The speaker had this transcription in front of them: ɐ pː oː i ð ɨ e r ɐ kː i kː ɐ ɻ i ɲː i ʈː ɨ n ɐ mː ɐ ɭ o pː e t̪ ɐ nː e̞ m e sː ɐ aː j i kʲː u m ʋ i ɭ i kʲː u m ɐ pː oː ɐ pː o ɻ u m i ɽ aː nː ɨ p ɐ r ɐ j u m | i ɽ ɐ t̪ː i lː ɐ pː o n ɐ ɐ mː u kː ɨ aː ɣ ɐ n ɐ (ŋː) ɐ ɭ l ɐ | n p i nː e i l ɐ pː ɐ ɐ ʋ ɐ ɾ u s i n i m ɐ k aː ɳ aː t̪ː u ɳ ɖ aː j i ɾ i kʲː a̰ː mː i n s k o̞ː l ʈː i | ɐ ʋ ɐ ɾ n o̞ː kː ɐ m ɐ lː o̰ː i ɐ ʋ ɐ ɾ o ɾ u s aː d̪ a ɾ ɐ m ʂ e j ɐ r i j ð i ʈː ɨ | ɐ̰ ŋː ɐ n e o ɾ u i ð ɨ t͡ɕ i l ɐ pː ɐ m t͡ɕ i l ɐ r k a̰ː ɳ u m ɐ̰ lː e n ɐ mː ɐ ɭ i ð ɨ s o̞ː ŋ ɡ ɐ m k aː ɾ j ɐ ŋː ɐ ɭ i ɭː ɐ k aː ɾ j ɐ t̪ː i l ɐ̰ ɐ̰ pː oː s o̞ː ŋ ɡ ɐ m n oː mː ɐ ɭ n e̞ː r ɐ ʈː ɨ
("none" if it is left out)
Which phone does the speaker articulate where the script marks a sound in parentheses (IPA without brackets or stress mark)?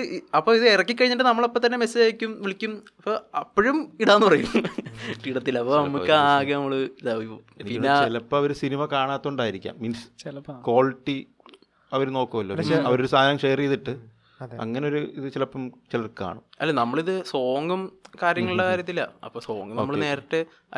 mː